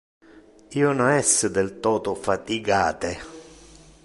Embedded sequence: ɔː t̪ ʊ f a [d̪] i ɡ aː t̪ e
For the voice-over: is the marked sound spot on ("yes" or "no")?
no